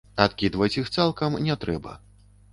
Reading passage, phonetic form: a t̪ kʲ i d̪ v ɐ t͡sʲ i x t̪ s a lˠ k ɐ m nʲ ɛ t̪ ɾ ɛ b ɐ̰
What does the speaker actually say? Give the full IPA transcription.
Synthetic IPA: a t̪ kʲ i d̪ v ɐ t͡sʲ i x t̪ s a lˠ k ɐ m nʲ ɛ t̪ ɾ ɛ b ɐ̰